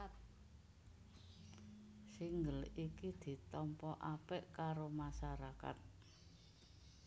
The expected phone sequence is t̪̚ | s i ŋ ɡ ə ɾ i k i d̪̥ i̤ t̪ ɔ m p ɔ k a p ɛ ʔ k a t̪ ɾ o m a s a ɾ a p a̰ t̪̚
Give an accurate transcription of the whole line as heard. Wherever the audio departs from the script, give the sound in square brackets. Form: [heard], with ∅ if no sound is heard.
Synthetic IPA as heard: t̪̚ | s i ŋ ɡ ə [l] i k i d̪̥ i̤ t̪ ɔ m p ɔ [ʔ] a p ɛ ʔ k a [∅] ɾ o m a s a ɾ a [k] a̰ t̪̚

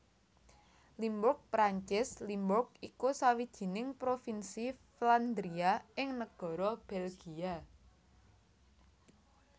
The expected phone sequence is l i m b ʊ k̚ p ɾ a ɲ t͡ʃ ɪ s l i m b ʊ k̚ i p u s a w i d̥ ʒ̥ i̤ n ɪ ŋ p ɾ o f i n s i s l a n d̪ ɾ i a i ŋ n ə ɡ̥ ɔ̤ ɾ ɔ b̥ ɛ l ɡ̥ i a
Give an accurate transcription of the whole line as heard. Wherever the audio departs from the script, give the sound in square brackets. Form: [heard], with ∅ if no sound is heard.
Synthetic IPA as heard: l i m b ʊ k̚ p ɾ a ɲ t͡ʃ ɪ s l i m b ʊ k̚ i [k] u s a w i d̥ ʒ̥ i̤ n ɪ ŋ p ɾ o f i n s i [f] l a n d̪ ɾ i a [ɪ] ŋ n ə ɡ̥ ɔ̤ ɾ ɔ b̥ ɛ l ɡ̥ i a

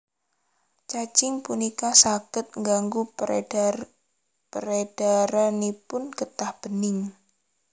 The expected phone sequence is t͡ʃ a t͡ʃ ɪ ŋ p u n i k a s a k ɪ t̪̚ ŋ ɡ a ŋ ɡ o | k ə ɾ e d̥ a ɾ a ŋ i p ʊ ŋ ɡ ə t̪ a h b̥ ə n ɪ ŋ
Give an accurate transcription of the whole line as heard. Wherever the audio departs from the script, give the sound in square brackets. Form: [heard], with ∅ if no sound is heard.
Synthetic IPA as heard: t͡ʃ a t͡ʃ ɪ ŋ p u n i k a s a k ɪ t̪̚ ŋ ɡ a ŋ ɡ [u] | [p] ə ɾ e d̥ a ɾ a [n] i p ʊ [n] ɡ ə t̪ a h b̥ ə n ɪ ŋ

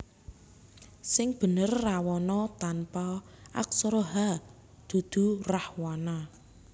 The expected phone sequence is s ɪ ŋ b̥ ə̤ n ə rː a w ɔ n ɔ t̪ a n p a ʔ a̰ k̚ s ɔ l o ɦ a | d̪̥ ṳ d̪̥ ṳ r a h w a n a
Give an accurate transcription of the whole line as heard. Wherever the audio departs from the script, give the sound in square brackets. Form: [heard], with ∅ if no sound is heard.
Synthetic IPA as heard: s ɪ ŋ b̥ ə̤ n ə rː a w ɔ n ɔ t̪ a n p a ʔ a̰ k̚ s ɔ [ɾ] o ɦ a | d̪̥ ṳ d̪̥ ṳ r a h w a n a

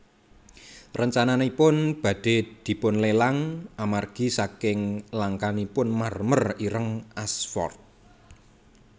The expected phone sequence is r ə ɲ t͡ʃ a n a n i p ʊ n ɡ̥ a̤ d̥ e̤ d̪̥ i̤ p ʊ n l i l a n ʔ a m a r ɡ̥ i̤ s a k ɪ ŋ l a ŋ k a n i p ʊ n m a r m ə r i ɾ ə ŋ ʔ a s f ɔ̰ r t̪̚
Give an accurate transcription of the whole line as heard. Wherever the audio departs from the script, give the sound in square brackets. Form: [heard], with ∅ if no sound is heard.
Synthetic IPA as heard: r ə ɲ t͡ʃ a n a n i p ʊ n [b̥] a̤ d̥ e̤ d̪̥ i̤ p ʊ n l [e] l a [ŋ] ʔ a m a r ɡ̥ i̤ s a k ɪ ŋ l a ŋ k a n i p ʊ n m a r m ə r i ɾ ə ŋ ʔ a s f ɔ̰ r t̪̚

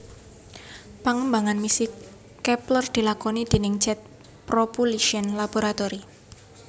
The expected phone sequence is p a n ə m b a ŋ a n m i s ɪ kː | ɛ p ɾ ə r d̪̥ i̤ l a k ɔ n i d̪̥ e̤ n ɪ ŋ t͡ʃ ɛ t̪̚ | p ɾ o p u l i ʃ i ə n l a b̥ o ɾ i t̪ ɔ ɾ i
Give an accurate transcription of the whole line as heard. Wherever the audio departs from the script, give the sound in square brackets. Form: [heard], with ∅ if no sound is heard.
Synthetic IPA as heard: p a [ŋ] ə m b a ŋ a n m i s ɪ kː | ɛ p [l] ə r d̪̥ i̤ l a k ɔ n i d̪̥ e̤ n ɪ ŋ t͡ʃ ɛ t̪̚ | p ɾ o p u l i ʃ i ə n l a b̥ o ɾ [a] t̪ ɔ ɾ i

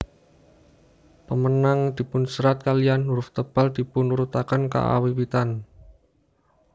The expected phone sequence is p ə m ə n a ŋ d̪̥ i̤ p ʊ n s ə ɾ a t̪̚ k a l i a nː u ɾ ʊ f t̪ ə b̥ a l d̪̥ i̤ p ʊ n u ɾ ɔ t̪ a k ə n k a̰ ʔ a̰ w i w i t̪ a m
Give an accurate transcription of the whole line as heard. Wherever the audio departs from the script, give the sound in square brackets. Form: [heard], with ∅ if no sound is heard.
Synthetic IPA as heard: p ə m ə n a ŋ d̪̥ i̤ p ʊ n s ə ɾ a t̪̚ k a l i a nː u ɾ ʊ f t̪ ə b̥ a l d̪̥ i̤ p ʊ n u ɾ [u] t̪ a k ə n k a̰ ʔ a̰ w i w i t̪ a [n]

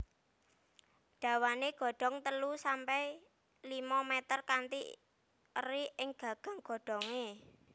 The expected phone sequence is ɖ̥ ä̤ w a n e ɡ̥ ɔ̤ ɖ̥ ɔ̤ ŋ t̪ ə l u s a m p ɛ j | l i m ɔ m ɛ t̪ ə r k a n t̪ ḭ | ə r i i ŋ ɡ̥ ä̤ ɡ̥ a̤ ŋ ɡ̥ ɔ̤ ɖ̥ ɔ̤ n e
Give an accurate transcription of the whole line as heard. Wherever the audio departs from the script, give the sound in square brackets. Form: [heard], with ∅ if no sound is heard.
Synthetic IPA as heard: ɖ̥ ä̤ w a n e ɡ̥ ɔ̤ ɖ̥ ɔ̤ ŋ t̪ ə l u s a m p ɛ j | l i m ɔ m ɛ t̪ ə r k a n t̪ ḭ | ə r i [ɪ] ŋ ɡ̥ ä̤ ɡ̥ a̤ ŋ ɡ̥ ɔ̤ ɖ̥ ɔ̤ [ŋ] e

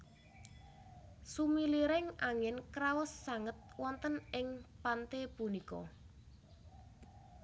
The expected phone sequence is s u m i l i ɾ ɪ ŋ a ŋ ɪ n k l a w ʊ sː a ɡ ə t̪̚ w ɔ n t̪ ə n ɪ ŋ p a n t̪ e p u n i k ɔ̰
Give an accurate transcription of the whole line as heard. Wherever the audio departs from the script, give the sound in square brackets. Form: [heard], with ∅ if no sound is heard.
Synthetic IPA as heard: s u m i l i ɾ ɪ ŋ a ŋ ɪ n k [ɾ] a w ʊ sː a [ŋ] ə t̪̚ w ɔ n t̪ ə n ɪ ŋ p a n t̪ e p u n i k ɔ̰

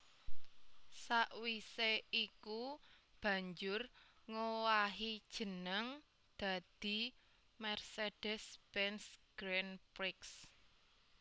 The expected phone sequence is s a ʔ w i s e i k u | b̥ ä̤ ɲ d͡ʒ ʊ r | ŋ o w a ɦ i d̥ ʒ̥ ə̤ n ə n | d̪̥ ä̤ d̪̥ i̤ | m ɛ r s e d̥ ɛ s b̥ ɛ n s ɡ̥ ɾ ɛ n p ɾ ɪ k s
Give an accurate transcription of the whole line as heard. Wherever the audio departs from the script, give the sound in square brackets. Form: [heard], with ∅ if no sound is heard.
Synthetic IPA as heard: s a ʔ w i s e i k u | b̥ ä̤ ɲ d͡ʒ ʊ r | ŋ o w a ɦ i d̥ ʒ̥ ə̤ n ə [ŋ] | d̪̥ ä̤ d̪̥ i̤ | m ɛ r s e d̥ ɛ s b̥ ɛ n s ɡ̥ ɾ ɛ n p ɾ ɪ k s

